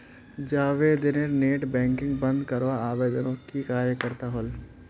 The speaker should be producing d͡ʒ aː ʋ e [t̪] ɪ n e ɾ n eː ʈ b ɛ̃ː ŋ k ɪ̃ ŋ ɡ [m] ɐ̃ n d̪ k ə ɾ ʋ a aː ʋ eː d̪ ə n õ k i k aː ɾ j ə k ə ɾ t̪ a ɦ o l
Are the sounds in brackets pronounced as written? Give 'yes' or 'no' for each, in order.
no, no

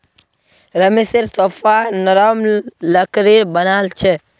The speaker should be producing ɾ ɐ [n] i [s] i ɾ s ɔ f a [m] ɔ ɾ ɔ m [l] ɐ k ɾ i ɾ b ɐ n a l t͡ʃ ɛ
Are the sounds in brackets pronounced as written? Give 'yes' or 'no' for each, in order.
no, yes, no, yes

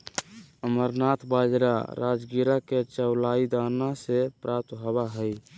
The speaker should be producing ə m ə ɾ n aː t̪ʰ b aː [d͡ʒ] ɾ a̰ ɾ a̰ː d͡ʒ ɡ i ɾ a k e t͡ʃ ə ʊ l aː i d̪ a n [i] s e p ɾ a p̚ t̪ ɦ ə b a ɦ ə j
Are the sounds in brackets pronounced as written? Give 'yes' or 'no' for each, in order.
yes, no

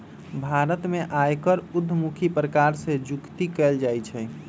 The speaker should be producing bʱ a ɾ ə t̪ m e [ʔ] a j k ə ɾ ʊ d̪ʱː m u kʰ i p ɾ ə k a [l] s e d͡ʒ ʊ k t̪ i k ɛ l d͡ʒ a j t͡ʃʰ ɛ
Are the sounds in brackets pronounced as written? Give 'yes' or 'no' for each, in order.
yes, no

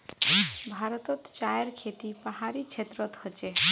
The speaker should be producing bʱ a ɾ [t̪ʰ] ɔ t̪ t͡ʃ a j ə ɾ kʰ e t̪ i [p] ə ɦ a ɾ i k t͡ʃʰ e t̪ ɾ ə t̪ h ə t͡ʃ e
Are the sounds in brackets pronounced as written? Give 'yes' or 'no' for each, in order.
no, yes

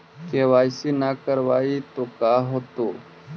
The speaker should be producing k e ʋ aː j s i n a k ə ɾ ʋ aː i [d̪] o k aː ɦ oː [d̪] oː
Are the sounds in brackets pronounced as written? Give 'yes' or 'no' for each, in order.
no, no

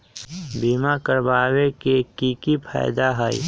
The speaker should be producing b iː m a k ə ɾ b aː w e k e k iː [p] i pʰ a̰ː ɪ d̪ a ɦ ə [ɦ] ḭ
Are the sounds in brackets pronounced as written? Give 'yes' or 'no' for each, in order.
no, no

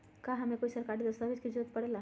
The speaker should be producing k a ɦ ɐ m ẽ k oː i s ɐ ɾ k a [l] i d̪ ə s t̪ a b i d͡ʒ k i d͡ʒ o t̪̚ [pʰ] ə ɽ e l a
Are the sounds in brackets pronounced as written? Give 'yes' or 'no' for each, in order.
no, no

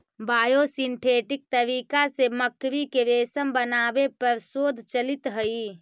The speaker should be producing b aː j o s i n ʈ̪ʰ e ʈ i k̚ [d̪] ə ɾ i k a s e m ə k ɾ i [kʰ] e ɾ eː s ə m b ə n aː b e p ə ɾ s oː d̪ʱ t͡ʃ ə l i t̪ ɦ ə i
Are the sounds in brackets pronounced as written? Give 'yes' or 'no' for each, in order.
no, no

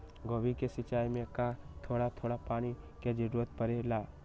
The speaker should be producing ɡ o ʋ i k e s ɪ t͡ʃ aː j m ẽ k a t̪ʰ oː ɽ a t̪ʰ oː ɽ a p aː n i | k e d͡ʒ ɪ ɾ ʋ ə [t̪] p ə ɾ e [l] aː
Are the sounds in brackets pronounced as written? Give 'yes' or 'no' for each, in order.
yes, yes

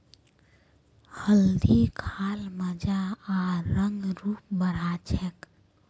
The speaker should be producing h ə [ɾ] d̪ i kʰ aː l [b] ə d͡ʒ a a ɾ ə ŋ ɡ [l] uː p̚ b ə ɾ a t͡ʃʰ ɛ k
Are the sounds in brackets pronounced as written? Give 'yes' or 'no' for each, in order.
no, no, no

